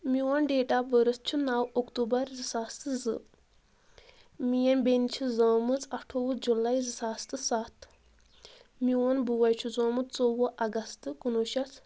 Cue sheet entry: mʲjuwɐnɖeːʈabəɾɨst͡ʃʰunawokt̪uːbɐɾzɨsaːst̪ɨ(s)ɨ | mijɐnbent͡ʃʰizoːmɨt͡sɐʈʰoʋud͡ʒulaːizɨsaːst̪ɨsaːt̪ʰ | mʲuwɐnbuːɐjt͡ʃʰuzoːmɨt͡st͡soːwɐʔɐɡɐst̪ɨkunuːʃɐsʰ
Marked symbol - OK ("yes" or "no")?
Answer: no